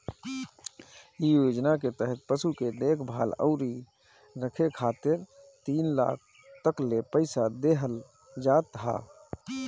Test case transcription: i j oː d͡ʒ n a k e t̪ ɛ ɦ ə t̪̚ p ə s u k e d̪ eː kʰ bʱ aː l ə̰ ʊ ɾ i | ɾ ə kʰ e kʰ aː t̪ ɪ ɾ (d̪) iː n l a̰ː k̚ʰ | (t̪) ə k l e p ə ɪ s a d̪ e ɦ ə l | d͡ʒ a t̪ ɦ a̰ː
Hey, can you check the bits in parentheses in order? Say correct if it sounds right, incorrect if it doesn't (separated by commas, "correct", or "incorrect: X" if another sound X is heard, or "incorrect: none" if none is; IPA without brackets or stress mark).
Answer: incorrect: t̪, correct